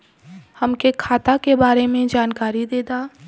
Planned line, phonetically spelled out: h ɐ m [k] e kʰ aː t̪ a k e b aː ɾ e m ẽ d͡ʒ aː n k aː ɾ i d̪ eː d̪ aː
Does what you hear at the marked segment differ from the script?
no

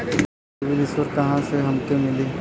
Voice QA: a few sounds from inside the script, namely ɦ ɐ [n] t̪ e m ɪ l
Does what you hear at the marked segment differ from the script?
yes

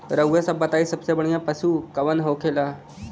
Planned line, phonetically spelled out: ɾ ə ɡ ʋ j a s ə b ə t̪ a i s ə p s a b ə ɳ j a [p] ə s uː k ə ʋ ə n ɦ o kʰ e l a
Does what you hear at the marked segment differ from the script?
no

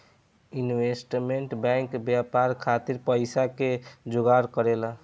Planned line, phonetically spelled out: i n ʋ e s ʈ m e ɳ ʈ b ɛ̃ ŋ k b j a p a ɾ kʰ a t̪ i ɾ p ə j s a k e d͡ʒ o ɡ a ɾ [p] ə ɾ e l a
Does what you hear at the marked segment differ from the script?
yes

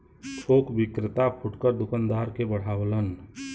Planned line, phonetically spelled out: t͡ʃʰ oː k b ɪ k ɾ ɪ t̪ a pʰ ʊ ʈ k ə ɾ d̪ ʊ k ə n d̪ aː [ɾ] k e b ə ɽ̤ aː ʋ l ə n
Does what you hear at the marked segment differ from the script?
no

